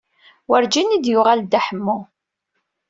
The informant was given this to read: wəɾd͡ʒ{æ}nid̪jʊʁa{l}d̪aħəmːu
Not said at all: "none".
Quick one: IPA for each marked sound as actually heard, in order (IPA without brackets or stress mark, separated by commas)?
i, l